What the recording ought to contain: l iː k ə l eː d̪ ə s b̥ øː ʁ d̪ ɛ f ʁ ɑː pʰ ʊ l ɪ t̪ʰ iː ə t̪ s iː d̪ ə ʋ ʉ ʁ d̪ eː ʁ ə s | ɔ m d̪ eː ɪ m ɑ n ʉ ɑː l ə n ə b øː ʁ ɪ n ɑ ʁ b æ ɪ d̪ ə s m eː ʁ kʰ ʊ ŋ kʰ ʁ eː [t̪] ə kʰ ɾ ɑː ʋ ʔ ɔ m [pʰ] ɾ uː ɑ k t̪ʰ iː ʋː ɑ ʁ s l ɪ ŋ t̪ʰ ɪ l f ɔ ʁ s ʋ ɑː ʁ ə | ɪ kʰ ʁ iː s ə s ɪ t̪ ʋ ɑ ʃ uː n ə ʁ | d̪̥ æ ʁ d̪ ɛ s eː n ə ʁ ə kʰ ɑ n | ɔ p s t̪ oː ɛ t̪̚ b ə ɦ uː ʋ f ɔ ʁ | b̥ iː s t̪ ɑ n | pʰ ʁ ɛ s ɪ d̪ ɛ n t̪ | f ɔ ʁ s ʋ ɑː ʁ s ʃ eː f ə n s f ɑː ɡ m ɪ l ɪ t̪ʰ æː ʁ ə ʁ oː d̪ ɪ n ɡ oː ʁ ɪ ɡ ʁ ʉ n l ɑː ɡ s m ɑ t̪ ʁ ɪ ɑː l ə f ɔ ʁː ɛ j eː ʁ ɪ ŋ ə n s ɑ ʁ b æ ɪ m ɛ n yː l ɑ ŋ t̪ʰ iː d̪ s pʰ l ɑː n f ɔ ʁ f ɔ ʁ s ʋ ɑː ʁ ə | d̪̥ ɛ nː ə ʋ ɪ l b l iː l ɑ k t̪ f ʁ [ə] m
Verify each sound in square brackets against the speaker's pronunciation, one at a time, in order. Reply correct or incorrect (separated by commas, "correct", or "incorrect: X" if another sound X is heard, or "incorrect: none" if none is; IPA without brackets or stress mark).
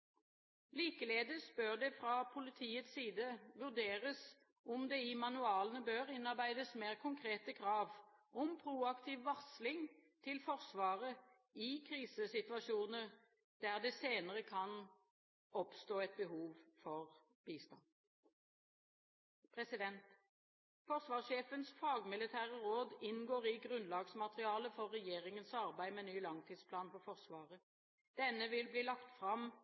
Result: correct, correct, incorrect: ɑ